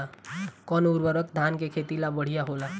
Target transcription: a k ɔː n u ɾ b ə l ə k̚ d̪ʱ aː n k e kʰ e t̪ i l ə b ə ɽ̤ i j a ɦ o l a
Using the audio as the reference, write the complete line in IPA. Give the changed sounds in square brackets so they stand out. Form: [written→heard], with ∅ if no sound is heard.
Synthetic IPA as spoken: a k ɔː n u ɾ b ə [l→ɾ] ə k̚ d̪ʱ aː n k e kʰ e t̪ i l [ə→a] b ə ɽ̤ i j a ɦ o l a